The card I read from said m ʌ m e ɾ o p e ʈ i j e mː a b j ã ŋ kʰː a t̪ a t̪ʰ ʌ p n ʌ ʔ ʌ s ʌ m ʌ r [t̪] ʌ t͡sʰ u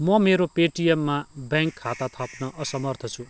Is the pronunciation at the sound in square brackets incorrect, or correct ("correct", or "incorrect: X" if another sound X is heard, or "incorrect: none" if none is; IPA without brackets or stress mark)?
incorrect: t̪ʰ